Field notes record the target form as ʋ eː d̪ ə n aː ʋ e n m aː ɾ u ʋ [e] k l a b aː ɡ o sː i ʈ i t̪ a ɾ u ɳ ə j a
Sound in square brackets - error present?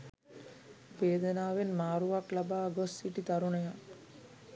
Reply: yes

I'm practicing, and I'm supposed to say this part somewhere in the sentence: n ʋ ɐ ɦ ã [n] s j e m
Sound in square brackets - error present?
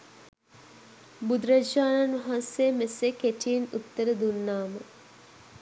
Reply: no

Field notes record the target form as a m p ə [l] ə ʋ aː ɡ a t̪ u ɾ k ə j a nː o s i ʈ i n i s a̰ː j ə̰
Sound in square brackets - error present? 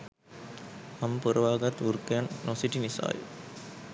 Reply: yes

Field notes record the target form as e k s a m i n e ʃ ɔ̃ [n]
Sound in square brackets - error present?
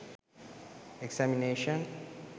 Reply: no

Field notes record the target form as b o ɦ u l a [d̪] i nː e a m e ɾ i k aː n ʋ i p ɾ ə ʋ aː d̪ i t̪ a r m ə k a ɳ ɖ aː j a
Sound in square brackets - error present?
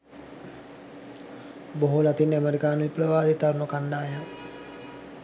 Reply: yes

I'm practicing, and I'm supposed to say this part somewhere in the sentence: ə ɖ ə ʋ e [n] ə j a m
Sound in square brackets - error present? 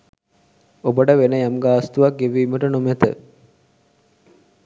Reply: no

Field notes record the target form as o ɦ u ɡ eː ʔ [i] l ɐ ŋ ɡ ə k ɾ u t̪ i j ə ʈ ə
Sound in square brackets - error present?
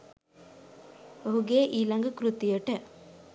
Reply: yes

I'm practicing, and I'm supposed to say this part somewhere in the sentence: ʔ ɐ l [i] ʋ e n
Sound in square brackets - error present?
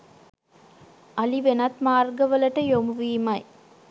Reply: no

